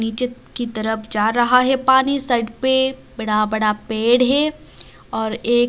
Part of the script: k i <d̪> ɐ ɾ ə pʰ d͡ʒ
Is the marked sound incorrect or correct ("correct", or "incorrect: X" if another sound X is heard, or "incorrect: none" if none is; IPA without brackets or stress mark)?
incorrect: t̪